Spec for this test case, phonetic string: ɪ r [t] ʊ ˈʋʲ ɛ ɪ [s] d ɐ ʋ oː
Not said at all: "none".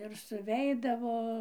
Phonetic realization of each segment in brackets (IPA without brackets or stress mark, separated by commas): s, none